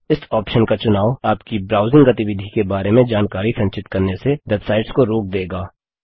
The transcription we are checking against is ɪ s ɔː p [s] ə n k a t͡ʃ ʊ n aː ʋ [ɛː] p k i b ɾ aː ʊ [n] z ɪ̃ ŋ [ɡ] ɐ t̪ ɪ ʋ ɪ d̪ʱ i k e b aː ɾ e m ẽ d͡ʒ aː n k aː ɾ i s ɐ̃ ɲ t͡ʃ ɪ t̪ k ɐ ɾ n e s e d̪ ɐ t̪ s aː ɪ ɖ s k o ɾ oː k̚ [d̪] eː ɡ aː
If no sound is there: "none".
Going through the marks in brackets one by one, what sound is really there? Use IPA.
ʃ, aː, none, ɡ, d̪

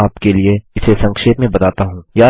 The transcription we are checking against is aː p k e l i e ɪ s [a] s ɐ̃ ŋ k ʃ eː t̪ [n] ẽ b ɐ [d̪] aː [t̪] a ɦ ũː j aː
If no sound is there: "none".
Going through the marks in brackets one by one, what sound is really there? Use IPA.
e, m, t̪, t̪

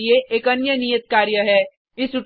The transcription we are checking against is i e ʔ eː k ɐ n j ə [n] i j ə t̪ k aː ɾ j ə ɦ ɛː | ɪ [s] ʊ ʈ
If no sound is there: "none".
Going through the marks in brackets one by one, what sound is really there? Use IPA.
n, s

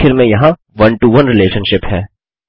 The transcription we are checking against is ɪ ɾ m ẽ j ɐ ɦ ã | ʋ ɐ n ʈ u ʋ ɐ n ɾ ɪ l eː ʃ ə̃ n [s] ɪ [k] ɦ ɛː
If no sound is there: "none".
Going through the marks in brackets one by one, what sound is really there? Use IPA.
ʃ, p

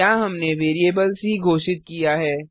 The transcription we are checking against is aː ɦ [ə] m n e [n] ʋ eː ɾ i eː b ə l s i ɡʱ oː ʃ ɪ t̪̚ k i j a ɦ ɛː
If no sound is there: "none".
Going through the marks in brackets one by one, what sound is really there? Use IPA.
ɐ, none

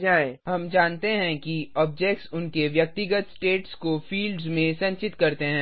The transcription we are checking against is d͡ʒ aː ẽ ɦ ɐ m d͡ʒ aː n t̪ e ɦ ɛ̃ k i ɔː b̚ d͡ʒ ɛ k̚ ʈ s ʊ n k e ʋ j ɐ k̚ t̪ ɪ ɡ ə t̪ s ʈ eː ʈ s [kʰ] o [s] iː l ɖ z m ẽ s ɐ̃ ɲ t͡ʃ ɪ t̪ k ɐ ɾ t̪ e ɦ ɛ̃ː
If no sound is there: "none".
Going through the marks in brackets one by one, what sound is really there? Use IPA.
k, f

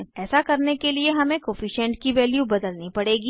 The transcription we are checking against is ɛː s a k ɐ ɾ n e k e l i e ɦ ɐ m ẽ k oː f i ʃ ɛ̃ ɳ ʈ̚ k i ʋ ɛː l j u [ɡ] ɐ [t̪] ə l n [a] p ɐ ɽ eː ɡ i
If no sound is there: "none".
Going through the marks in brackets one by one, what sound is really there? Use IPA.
b, d̪, i

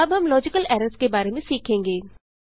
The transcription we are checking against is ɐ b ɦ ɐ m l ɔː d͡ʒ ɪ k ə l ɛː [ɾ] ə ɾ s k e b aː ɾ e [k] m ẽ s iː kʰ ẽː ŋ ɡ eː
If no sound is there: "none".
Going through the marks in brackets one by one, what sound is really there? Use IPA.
ɾ, none

